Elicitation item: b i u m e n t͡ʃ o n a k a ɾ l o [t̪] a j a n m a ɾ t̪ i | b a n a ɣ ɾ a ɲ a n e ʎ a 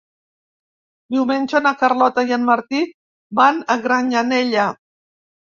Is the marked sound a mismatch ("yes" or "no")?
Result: no